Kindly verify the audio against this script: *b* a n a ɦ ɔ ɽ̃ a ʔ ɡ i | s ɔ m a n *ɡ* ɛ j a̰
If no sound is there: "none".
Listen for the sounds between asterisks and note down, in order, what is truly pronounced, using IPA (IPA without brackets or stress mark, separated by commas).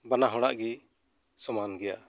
b, ɡ